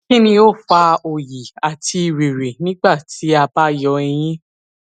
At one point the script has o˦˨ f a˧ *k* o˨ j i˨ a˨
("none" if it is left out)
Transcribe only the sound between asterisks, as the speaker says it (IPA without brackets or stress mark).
none